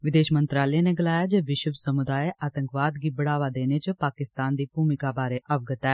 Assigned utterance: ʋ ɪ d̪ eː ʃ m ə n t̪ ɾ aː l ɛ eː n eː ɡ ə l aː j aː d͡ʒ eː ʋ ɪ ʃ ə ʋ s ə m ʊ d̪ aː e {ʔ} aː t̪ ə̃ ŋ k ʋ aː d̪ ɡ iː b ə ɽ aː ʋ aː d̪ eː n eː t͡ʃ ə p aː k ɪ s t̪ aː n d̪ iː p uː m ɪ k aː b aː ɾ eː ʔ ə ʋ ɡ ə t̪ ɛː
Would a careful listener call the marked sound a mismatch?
no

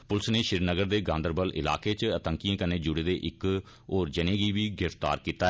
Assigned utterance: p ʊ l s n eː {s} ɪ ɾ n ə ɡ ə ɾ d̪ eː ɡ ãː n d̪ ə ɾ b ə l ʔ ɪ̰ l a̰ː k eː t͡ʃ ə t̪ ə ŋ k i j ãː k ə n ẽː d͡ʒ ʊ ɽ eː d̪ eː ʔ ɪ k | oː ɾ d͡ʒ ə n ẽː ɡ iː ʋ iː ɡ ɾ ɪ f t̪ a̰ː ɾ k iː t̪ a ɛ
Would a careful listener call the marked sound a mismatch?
yes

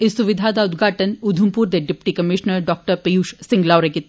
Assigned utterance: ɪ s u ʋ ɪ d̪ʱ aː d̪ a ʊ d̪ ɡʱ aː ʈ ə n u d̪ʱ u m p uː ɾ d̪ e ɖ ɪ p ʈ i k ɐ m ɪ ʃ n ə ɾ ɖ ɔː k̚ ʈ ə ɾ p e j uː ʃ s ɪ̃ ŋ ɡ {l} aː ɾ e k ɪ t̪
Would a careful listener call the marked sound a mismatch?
no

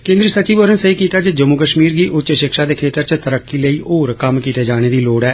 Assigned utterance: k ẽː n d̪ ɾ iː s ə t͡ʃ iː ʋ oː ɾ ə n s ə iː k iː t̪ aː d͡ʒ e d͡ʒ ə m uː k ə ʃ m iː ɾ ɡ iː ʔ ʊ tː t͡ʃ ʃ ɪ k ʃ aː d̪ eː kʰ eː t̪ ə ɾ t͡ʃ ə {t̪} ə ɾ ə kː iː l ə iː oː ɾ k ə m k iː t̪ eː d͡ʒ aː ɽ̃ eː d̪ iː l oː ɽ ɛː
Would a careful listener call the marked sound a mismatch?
no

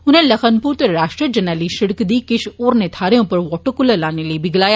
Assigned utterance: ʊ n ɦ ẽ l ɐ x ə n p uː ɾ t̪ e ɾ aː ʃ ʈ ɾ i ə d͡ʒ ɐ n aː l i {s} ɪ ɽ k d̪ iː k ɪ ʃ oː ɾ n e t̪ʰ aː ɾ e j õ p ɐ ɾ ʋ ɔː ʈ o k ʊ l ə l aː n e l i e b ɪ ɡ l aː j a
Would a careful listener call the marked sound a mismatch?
yes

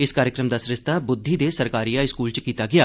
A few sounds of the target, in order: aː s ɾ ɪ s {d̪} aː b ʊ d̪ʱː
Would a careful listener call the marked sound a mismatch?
yes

